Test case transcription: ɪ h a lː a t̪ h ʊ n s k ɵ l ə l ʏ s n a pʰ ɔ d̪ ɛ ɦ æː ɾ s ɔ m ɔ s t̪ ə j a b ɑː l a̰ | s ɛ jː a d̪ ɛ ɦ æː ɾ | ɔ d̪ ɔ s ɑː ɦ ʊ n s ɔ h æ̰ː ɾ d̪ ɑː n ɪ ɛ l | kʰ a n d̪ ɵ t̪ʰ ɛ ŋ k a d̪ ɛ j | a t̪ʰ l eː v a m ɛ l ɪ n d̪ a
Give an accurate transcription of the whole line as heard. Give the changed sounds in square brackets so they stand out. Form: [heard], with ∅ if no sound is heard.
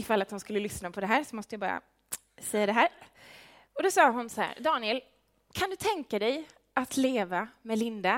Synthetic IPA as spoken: ɪ [f] a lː a t̪ h ʊ n s k ɵ [lː] ə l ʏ s n a pʰ ɔ d̪ ɛ ɦ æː ɾ s ɔ m ɔ s t̪ ə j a b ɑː [ɾ] a̰ | s ɛ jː a d̪ ɛ ɦ æː ɾ | ɔ d̪ ɔ s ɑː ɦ ʊ n s ɔ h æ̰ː ɾ d̪ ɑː n ɪ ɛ l | kʰ a n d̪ ɵ t̪ʰ ɛ ŋ k a d̪ ɛ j | a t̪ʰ l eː v a m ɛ l ɪ n d̪ a